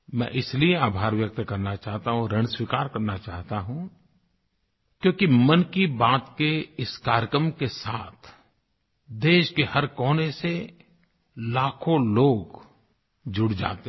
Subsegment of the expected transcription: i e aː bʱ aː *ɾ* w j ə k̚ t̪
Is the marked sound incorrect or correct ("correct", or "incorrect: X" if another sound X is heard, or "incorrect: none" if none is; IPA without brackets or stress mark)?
correct